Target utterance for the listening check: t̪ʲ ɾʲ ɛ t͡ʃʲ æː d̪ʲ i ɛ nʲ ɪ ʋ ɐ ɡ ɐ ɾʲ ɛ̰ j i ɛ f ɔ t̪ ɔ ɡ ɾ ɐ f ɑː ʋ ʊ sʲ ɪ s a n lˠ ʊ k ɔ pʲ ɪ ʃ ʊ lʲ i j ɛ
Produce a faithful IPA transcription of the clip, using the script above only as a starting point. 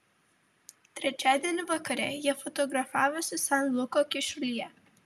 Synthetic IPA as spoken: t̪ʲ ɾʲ ɛ t͡ʃʲ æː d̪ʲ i ɛ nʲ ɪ ʋ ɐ k ɐ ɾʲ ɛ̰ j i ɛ f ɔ t̪ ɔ ɡ ɾ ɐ f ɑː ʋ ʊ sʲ ɪ s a n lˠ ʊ k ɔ kʲ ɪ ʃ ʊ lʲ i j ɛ